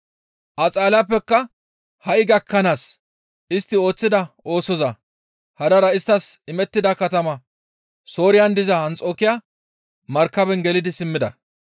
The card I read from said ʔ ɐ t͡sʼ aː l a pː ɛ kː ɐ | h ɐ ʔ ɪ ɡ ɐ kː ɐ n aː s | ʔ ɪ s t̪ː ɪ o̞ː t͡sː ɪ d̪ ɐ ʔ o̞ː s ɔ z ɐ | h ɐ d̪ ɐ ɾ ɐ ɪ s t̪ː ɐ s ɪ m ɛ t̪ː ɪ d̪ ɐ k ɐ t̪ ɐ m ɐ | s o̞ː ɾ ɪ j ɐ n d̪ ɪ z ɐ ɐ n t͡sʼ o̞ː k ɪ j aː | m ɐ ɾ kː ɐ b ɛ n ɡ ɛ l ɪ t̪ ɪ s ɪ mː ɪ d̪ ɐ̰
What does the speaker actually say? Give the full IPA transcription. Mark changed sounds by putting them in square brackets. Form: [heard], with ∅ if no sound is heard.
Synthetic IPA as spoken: ʔ ɐ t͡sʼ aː l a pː ɛ kː ɐ | h ɐ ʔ ɪ ɡ ɐ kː ɐ n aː s | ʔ ɪ s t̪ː ɪ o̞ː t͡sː ɪ d̪ ɐ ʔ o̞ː s ɔ z ɐ | h ɐ d̪ ɐ ɾ ɐ ɪ s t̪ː ɐ s ɪ m ɛ t̪ː ɪ d̪ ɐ k ɐ t̪ ɐ m ɐ | s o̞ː ɾ ɪ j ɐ n d̪ ɪ z ɐ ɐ n t͡sʼ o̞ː k ɪ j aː | m ɐ ɾ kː ɐ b ɛ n ɡ ɛ l ɪ [d̪] ɪ s ɪ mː ɪ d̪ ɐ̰